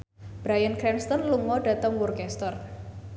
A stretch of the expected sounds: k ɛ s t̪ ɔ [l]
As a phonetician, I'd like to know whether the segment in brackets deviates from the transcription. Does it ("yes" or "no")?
yes